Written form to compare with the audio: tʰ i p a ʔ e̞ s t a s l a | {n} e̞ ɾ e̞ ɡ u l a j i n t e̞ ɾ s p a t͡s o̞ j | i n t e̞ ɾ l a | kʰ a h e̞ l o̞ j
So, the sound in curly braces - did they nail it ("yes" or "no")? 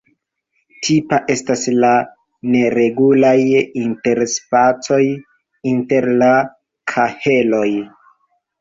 yes